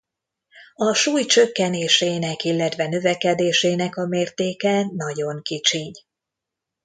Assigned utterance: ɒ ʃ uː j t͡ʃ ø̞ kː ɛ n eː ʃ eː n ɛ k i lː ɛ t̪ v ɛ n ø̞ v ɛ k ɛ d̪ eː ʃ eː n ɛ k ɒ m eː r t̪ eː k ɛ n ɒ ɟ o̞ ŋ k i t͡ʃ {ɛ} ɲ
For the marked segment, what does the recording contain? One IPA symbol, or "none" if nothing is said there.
i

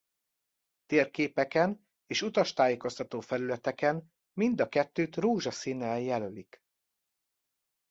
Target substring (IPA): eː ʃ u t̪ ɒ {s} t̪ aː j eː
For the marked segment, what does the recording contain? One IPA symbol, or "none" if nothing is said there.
ʃ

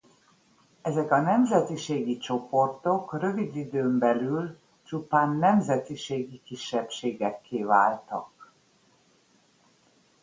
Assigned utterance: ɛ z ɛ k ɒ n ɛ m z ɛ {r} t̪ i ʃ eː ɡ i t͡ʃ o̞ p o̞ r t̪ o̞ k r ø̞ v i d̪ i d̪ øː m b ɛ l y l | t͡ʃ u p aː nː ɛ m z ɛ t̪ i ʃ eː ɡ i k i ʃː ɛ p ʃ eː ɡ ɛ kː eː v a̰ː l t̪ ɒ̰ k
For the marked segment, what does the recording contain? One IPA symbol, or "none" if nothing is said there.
none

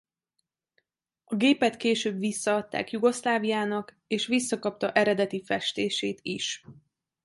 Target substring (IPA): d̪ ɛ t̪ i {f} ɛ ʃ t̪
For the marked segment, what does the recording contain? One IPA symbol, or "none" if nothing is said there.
f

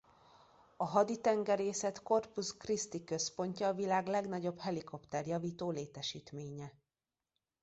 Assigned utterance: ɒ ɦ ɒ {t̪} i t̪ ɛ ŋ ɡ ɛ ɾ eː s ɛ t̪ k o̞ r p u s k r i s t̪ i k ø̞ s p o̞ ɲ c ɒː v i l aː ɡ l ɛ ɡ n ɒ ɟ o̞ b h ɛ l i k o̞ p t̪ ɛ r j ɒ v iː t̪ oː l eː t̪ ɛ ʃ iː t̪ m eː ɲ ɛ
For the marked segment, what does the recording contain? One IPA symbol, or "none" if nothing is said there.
d̪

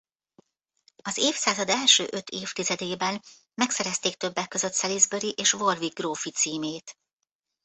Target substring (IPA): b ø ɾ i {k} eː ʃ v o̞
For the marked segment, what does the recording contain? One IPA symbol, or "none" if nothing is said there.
ʔ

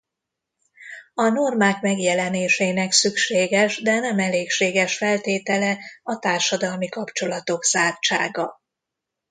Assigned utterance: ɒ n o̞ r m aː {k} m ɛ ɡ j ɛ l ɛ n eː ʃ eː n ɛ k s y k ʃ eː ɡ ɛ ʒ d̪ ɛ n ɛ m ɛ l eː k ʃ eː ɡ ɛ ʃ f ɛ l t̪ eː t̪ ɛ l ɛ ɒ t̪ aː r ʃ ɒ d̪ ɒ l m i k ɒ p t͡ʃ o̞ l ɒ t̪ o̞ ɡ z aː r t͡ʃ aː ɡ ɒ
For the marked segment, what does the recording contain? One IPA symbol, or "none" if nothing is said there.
k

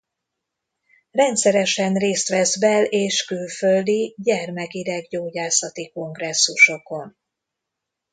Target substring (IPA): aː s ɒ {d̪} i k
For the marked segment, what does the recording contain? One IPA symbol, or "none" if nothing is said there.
t̪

